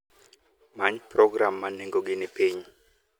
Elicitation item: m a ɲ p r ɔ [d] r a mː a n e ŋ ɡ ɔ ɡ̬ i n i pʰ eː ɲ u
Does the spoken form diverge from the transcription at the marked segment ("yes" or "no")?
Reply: yes